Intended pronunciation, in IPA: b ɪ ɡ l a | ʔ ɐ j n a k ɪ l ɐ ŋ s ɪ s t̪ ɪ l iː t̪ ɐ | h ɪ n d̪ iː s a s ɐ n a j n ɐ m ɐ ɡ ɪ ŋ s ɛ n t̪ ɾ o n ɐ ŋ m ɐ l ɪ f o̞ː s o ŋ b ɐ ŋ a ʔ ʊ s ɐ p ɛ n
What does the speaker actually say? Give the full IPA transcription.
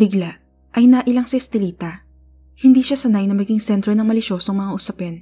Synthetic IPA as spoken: b ɪ ɡ l a | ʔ ɐ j n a ʔ ɪ l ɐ ŋ s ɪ s t̪ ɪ l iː t̪ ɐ | h ɪ n d̪ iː ʃ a s ɐ n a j n ɐ m ɐ ɡ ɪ ŋ s ɛ n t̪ ɾ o n ɐ ŋ m ɐ l ɪ ʃ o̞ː s o ŋ m ɐ ŋ a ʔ ʊ s ɐ p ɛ n